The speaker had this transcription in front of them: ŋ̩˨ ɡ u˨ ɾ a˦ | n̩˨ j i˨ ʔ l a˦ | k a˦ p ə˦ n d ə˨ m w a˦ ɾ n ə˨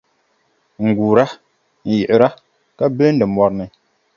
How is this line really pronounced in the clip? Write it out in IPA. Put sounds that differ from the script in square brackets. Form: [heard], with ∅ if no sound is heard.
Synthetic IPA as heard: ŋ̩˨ ɡ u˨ ɾ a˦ | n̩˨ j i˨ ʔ [ɾ] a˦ | k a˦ [b] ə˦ n d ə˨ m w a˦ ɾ n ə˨